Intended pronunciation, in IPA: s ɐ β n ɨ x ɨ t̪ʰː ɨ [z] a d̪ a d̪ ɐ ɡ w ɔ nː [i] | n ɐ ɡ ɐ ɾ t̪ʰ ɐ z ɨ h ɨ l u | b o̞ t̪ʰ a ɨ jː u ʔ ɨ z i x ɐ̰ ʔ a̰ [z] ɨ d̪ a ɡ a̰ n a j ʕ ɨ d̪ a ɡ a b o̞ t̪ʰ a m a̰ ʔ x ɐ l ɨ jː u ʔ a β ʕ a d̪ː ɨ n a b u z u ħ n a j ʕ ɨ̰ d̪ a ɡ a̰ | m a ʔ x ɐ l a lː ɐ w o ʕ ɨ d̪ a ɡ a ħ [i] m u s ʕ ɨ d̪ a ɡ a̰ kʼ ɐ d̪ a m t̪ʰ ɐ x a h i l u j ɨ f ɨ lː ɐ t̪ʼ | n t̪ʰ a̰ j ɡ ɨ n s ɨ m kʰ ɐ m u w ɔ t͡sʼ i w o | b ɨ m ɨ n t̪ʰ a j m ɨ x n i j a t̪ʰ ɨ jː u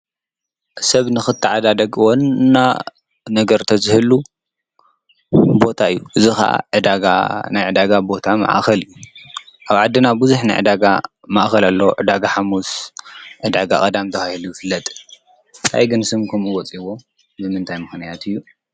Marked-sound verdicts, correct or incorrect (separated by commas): incorrect, incorrect, incorrect, incorrect